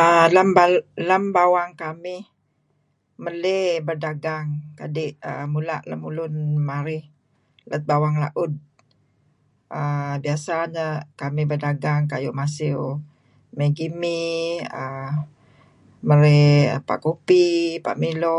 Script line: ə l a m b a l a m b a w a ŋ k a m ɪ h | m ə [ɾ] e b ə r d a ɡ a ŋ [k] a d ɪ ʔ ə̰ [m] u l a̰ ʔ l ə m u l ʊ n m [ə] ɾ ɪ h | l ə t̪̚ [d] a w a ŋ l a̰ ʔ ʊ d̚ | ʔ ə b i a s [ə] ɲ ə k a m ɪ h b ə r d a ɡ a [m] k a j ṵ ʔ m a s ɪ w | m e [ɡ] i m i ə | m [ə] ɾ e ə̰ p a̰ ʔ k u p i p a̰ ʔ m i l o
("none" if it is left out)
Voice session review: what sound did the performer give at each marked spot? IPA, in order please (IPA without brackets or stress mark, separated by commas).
l, k, m, a, b, a, ŋ, ɡ, ə